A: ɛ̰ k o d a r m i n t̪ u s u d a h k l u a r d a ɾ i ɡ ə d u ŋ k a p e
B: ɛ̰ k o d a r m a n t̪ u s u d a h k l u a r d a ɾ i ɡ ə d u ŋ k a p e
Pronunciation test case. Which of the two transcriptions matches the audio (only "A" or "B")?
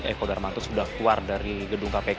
B